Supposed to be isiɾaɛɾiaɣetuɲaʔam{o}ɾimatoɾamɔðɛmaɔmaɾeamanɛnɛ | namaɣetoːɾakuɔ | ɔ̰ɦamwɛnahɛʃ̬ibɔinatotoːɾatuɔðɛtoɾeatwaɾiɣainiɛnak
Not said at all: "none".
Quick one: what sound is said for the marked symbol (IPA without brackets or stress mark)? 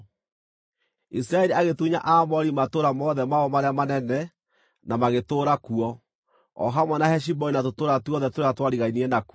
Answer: ɔ